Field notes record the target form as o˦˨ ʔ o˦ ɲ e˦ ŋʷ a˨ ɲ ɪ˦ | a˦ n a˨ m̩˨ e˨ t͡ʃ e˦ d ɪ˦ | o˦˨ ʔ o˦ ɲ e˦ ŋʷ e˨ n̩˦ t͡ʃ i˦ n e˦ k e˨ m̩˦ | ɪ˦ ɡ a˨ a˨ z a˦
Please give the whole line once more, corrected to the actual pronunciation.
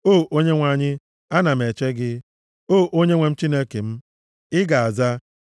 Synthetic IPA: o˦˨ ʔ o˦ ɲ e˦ ŋʷ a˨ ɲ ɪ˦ | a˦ n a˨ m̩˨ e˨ t͡ʃ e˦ ɡ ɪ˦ | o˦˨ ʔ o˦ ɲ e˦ ŋʷ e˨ m̩˦ t͡ʃ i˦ n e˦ k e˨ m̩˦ | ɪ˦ ɡ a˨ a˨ z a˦